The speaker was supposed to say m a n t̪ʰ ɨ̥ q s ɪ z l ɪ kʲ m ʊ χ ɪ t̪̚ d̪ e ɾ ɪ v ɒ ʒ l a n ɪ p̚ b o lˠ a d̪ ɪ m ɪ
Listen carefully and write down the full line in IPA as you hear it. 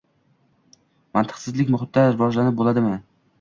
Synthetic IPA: m a n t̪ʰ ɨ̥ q s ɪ z l ɪ kʲ m ʊ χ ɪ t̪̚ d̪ a ɾ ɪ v ɒ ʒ l a n ɪ p̚ b o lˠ a d̪ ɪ m ɪ